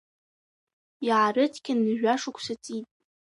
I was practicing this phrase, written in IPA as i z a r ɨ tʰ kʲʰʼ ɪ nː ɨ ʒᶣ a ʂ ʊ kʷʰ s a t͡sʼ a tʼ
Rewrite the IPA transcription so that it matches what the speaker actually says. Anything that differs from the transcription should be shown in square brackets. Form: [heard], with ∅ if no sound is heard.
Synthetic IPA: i [ʕ] a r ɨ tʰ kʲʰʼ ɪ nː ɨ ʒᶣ a ʂ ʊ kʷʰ s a t͡sʼ [i] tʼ

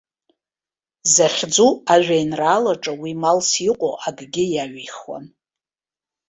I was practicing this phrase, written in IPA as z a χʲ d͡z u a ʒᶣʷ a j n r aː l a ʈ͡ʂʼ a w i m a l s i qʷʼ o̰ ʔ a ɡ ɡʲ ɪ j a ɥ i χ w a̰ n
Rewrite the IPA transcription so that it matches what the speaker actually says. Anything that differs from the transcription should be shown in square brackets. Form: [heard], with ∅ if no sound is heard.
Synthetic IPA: z a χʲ d͡z u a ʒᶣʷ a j n r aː l a ʈ͡ʂʼ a w i m a l s i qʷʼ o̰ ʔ a ɡ ɡʲ ɪ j a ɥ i χ w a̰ n

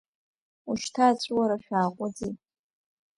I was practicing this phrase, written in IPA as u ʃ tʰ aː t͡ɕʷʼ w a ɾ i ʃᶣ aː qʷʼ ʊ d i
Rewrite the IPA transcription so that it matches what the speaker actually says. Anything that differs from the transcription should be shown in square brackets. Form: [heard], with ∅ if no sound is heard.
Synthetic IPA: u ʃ tʰ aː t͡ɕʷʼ w a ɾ [a] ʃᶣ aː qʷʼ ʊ [d͡z] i

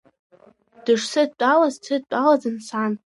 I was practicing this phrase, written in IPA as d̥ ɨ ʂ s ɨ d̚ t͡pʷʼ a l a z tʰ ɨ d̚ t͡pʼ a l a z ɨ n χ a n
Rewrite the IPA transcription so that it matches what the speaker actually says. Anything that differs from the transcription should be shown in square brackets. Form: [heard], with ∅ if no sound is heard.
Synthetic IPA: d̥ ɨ ʂ s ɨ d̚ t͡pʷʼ a l a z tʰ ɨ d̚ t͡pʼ a l a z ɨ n [s] a n

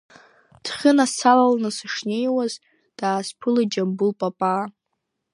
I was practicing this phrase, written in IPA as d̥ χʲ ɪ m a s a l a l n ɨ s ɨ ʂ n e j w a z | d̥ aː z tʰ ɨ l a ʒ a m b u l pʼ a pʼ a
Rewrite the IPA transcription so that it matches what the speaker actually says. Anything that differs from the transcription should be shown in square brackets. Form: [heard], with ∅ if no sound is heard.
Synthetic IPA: d̥ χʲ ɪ [n] a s a l a l n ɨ s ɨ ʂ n e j w a z | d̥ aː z [pʰ] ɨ l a [d͡ʒ] a m b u l pʼ a pʼ a

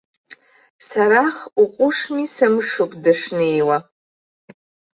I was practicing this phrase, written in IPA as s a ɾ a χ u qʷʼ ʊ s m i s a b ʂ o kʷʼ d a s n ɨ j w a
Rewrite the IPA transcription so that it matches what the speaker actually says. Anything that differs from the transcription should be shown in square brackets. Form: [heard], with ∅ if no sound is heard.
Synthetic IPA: s a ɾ a χ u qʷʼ ʊ [ʂ] m i s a [m] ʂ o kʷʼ d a [ʂ] n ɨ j w a

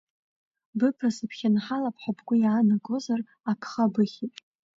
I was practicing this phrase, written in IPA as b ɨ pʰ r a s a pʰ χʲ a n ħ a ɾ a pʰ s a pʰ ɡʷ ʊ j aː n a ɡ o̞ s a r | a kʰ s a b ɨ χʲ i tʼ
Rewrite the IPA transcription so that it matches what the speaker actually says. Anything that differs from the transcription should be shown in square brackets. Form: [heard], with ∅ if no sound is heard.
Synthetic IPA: b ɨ pʰ r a s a pʰ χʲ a n ħ a [l] a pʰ [ħ] a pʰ ɡʷ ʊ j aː n a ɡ o̞ [z] a r | a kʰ [χ] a b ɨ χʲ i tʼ

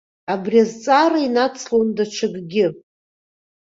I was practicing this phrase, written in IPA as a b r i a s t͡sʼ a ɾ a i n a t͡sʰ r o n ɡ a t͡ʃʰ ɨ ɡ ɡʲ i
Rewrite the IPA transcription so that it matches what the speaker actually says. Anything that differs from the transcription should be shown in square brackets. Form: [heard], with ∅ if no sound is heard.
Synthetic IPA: a b r i a [z] t͡sʼ a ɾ a i n a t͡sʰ [l] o n [d] a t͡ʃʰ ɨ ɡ ɡʲ [ɪ]

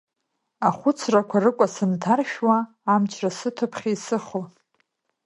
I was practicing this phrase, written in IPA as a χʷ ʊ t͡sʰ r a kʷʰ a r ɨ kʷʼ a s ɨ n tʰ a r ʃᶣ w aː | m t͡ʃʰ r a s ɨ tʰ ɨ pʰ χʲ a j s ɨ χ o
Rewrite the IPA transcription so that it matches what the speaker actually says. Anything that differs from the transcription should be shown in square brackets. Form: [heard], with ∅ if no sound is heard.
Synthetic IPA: a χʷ ʊ t͡sʰ r a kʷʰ a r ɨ kʷʼ a s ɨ n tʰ a r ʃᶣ w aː | m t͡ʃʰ r a s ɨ tʰ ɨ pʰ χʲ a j s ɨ χ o

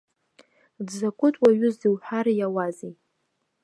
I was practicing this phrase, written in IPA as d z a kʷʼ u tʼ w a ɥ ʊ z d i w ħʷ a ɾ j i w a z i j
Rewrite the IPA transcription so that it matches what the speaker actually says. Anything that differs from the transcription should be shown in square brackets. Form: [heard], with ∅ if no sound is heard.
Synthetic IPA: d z a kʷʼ [ʊ] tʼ w a ɥ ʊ z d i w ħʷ a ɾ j [a] w a z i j

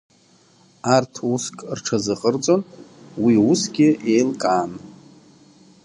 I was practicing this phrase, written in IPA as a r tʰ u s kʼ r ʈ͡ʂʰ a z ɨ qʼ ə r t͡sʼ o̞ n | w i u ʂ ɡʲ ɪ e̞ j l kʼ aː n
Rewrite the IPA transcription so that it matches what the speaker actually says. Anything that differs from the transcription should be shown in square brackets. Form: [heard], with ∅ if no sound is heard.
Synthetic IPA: a r tʰ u s kʼ r ʈ͡ʂʰ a z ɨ qʼ ə r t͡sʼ o̞ n | w i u [s] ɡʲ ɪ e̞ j l kʼ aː n

